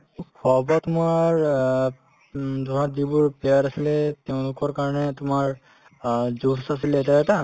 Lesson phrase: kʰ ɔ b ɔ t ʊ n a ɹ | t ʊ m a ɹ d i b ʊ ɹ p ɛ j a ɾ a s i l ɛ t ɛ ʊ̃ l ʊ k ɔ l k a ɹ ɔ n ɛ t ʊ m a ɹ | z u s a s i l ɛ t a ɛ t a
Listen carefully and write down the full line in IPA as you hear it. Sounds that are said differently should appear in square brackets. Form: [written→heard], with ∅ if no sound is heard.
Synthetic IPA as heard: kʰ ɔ b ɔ t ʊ [n→m] a ɹ | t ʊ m a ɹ d i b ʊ ɹ p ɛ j a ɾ a s i l ɛ t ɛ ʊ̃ l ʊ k ɔ [l→ɹ] k a ɹ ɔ n ɛ t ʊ m a ɹ | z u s a s i l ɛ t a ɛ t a